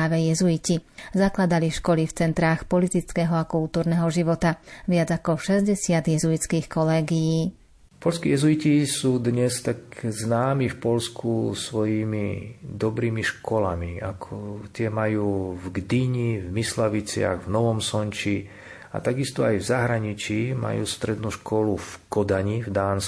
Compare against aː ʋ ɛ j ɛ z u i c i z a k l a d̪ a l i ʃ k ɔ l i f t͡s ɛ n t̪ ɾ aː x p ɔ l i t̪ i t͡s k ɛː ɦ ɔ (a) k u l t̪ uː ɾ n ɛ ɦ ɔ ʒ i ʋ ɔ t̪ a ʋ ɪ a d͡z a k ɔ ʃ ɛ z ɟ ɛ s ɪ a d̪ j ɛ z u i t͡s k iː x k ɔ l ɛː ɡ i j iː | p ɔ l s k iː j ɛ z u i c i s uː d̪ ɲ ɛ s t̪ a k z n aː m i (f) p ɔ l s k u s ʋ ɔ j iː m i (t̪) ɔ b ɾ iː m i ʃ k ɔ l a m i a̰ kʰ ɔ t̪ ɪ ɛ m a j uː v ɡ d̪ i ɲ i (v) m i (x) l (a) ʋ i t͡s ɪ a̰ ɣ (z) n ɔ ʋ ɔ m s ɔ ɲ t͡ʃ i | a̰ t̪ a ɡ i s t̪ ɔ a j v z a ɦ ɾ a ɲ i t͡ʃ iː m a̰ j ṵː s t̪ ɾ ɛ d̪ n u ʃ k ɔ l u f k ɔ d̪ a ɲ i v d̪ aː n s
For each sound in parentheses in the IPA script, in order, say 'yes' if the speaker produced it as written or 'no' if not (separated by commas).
yes, yes, no, yes, no, yes, no